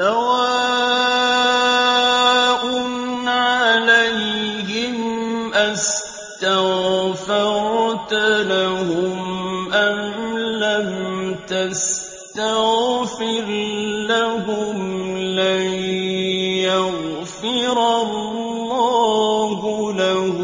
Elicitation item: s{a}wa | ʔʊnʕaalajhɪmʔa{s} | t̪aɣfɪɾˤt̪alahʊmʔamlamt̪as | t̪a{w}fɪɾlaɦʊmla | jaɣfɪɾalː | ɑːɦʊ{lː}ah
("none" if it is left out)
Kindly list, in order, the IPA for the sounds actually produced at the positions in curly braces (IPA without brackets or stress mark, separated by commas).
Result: a, s, ɣ, l